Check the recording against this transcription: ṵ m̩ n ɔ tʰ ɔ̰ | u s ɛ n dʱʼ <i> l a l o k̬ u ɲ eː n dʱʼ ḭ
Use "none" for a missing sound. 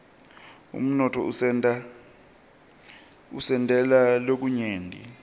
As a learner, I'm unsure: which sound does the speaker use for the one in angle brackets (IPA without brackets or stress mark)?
ɛ